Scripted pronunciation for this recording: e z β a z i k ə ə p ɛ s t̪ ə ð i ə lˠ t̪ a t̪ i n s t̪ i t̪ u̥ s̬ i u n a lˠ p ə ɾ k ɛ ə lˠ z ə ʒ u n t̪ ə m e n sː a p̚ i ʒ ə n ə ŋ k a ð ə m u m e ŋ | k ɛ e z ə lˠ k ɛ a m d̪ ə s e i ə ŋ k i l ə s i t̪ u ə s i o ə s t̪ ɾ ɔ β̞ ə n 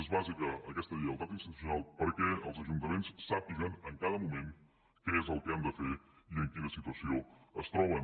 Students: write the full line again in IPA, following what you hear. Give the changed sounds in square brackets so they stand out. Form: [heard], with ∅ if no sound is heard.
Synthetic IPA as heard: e z β a z i k ə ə [k] ɛ s t̪ ə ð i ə lˠ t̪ a t̪ i n s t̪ i t̪ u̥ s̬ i u n a lˠ p ə ɾ k ɛ ə lˠ z ə ʒ u n t̪ ə m e n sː a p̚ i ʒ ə n ə ŋ k a ð ə m u m e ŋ | k ɛ e z ə lˠ k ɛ a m d̪ ə [f] e i ə ŋ k i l ə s i t̪ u ə s i o ə s t̪ ɾ ɔ β̞ ə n